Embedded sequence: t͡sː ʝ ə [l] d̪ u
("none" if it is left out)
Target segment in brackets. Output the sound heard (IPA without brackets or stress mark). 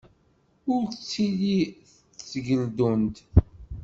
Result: l